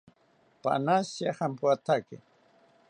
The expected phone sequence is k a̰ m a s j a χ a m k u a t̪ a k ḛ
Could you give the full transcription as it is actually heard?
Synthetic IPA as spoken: p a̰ n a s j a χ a m p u a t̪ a k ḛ